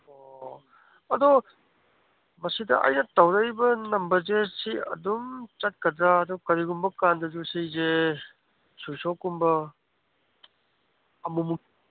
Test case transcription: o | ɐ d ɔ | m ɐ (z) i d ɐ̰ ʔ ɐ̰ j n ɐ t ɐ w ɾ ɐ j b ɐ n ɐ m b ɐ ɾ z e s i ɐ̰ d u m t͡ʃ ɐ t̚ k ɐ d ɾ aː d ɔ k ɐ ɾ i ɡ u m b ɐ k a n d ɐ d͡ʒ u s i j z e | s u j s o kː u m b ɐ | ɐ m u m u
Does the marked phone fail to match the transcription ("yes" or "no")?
yes